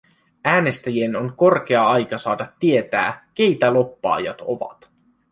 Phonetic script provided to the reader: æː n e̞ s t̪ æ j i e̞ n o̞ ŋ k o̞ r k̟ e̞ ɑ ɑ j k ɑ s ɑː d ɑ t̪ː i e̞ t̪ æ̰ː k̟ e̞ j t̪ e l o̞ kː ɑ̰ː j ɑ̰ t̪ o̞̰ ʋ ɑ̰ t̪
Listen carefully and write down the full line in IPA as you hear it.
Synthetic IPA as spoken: æː n e̞ s t̪ æ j i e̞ n o̞ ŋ k o̞ r k̟ e̞ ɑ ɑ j k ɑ s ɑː d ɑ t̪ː i e̞ t̪ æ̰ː k̟ e̞ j t̪ æ l o̞ pː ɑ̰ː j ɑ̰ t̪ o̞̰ ʋ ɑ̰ t̪

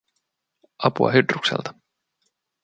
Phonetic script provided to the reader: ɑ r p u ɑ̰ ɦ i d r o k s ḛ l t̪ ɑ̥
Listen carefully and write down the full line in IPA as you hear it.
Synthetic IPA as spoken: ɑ p u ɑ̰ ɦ y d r u k s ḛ l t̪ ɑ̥

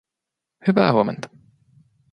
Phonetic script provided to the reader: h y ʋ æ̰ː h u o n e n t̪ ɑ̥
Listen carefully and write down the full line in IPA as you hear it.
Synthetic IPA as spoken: h y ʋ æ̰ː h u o m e n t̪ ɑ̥

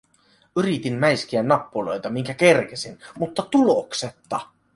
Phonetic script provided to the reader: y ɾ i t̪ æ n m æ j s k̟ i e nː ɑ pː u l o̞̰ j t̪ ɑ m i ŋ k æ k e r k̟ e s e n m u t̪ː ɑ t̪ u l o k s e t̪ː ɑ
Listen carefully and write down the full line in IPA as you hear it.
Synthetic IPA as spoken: y ɾ i t̪ i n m æ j s k̟ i æ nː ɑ pː u l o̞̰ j t̪ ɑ m i ŋ k æ k e r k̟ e s i n m u t̪ː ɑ t̪ u l o k s e t̪ː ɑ

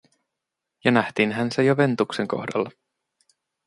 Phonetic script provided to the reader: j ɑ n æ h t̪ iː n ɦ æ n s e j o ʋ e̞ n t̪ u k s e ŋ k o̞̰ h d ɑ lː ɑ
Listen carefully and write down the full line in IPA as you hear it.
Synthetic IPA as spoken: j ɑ n æ h t̪ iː n ɦ æ n s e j o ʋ e̞ n t̪ u k s e ŋ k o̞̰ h d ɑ lː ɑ

